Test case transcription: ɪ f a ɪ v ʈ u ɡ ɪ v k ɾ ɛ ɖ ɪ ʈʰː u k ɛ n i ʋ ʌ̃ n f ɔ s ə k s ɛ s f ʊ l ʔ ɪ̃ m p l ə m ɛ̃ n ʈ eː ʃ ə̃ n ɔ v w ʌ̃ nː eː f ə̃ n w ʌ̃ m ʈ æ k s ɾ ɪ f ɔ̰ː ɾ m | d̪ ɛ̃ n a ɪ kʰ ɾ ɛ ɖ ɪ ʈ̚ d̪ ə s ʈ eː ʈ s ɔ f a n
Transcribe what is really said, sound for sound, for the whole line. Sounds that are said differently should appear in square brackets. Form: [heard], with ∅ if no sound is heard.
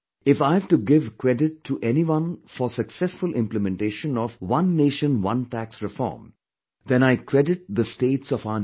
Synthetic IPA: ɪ f a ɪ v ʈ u ɡ ɪ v k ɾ ɛ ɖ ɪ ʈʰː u [ʔ] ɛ n i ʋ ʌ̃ n f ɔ s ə k s ɛ s f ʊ l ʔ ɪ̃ m p l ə m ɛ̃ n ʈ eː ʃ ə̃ n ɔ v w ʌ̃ nː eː [ʃ] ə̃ n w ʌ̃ [n] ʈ æ k s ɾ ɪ f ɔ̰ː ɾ m | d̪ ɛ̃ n a ɪ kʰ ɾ ɛ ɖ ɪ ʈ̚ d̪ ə s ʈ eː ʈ s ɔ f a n